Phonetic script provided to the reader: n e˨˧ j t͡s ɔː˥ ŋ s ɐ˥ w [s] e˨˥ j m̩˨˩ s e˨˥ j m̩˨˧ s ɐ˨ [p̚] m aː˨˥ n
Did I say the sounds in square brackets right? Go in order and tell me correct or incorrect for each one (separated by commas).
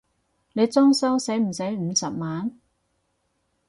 correct, correct